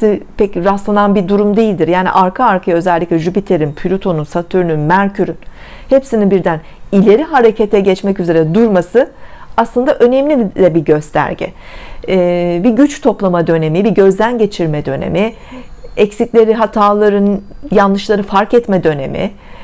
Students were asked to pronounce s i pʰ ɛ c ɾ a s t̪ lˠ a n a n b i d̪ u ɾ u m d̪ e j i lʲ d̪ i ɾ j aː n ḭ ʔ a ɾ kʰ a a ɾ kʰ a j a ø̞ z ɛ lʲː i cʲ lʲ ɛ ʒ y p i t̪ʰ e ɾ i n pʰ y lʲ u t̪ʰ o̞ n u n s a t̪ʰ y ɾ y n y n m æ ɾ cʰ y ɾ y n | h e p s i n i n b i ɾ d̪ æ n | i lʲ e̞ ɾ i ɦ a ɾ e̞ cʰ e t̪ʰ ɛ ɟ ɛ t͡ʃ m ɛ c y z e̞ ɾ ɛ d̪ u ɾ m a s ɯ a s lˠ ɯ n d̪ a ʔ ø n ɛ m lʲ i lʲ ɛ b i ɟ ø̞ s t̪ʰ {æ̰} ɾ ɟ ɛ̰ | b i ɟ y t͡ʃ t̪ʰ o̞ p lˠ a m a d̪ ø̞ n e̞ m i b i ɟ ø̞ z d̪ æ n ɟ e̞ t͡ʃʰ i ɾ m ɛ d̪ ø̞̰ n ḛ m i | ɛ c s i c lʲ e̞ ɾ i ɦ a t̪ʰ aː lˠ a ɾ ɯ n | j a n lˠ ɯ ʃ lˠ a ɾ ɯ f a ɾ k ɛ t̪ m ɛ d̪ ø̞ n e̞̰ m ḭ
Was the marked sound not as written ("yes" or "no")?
no